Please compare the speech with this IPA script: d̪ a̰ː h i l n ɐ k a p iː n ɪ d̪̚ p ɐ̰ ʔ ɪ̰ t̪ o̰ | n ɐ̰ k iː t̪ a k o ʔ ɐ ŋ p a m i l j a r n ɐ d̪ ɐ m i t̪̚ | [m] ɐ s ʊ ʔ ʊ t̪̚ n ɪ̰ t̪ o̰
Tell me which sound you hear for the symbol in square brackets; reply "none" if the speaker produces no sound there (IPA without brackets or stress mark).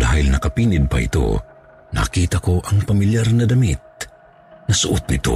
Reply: n